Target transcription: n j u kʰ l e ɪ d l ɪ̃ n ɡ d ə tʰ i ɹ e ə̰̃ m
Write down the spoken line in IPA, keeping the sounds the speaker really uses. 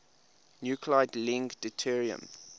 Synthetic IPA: n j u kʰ l a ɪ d l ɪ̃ ŋ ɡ d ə tʰ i ɹ i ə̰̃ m